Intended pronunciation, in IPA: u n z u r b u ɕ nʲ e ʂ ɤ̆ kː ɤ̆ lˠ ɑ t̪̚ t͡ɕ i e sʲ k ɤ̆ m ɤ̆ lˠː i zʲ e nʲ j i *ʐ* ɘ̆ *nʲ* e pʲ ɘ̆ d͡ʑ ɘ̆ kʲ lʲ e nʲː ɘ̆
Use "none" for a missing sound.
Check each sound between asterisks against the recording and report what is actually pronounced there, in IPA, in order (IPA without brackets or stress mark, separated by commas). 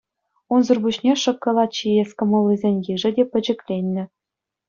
ʐ, dʲ